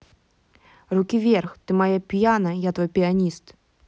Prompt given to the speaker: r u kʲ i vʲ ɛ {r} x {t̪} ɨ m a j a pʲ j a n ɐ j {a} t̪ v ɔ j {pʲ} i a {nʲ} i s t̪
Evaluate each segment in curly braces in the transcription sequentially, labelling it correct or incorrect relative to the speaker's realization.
correct, correct, correct, correct, correct

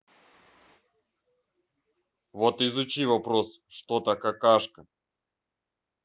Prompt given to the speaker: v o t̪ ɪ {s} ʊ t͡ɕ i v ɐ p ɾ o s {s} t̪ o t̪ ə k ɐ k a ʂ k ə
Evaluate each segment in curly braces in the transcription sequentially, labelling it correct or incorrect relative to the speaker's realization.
incorrect: z, incorrect: ʂ

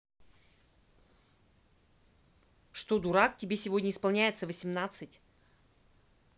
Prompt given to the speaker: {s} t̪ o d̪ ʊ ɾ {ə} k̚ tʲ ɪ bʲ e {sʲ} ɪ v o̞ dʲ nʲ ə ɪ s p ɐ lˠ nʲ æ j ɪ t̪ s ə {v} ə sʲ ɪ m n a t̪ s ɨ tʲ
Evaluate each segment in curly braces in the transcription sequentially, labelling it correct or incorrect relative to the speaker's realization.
incorrect: ʂ, incorrect: a, correct, correct

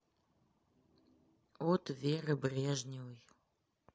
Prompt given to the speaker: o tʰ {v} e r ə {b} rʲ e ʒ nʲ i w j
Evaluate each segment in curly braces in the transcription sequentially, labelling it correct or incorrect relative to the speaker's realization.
correct, correct

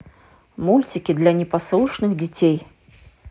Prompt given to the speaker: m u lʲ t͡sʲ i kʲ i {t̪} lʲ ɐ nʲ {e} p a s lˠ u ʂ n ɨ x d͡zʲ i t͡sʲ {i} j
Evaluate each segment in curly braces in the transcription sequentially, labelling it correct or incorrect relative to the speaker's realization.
incorrect: d̪, incorrect: ɛ, incorrect: e

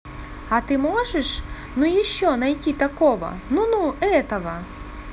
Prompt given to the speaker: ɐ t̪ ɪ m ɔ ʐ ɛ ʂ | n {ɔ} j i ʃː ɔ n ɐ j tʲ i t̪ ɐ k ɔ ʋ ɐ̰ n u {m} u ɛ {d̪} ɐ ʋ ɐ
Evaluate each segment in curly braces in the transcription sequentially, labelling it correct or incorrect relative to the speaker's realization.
incorrect: u, incorrect: n, incorrect: t̪

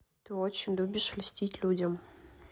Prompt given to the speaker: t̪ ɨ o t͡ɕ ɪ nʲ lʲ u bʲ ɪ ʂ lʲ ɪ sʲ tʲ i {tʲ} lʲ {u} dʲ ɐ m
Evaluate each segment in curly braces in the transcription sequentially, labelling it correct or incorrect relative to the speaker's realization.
correct, correct

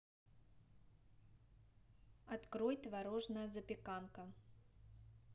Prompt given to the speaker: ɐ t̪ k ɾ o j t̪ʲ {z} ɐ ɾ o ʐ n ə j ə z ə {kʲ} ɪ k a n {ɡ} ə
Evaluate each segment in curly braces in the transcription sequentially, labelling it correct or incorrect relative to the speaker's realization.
incorrect: v, incorrect: pʲ, incorrect: k

